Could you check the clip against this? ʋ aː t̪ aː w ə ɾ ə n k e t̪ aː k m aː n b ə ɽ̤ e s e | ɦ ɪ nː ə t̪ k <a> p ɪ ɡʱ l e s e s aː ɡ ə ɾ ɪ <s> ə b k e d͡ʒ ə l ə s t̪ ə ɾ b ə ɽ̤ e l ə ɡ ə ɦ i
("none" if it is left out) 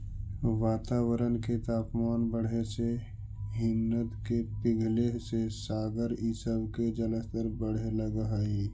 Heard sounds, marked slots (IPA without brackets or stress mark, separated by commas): e, s